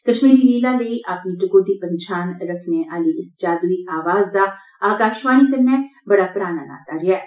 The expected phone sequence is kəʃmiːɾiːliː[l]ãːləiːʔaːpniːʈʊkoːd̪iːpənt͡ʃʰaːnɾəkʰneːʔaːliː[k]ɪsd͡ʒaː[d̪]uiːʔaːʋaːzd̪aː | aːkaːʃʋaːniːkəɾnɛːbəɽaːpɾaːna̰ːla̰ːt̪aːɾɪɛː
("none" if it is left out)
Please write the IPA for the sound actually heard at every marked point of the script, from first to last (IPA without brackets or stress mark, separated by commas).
l, none, d̪